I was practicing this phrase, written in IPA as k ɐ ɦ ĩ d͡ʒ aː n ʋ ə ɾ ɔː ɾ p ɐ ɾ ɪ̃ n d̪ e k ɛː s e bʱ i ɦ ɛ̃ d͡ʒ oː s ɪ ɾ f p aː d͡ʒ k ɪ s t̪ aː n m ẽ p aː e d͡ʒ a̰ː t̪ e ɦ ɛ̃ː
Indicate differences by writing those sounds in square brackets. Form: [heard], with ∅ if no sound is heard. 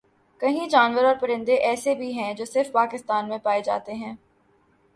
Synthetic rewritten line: k ɐ ɦ ĩ d͡ʒ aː n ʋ ə ɾ ɔː ɾ p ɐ ɾ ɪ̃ n d̪ e [ʔ] ɛː s e bʱ i ɦ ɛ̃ d͡ʒ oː s ɪ ɾ f p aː [∅] k ɪ s t̪ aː n m ẽ p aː e d͡ʒ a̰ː t̪ e ɦ ɛ̃ː